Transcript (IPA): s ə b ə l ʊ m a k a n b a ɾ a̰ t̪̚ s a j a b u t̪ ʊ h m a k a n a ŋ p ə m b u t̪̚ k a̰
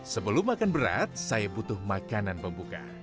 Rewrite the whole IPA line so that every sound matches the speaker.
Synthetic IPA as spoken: s ə b ə l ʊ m a k a n b ə ɾ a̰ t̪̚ s a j a b u t̪ ʊ h m a k a n a n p ə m b u k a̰